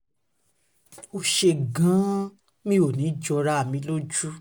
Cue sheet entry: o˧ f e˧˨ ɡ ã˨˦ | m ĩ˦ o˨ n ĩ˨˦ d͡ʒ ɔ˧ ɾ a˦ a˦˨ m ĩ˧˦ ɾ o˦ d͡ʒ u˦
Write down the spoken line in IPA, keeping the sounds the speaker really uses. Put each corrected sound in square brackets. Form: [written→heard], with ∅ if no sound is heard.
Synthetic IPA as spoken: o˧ [f→ʃ] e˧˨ ɡ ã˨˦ | m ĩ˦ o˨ n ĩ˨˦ d͡ʒ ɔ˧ ɾ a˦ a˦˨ m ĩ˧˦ [ɾ→l] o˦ d͡ʒ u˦